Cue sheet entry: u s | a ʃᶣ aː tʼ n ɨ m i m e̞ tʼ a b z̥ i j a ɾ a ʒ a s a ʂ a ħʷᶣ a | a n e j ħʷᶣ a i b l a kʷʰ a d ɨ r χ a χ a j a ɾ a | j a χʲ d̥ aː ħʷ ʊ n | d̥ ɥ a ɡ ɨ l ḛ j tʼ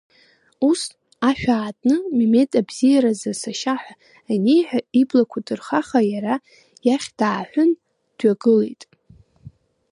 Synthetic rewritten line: u s | a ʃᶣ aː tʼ n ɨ m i m e̞ tʼ a b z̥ i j a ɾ a z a s a ʃ a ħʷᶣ a | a n e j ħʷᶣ a i b l a kʷʰ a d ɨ r χ a χ a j a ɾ a | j a χʲ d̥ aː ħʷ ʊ n | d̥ ɥ a ɡ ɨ l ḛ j tʼ